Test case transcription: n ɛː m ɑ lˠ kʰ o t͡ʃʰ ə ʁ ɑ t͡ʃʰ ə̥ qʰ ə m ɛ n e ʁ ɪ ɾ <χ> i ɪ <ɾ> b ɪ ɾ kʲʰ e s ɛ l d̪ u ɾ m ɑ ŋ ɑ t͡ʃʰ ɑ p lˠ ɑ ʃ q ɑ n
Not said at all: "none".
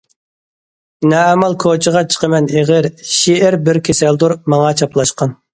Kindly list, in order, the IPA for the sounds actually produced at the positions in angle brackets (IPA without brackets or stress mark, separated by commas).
ʃ, ɾ